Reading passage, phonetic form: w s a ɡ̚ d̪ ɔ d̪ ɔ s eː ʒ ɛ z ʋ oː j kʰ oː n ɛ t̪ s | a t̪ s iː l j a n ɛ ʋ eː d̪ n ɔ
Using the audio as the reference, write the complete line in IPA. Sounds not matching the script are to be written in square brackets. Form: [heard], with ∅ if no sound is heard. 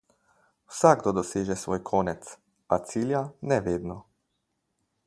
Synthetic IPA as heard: w s a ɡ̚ d̪ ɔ d̪ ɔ s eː ʒ ɛ [s] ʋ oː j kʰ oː n ɛ t̪ s | a t̪ s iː l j a n ɛ ʋ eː d̪ n ɔ